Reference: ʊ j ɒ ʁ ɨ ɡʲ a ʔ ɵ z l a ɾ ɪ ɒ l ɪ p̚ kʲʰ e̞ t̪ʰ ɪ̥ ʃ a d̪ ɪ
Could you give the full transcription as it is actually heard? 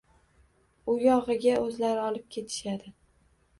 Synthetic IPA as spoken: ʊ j ɒ ʁ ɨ ɡʲ a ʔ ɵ z l a ɾ ɪ ɒ l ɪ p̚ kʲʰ e̞ t̪ʰ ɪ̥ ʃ a d̪ ɪ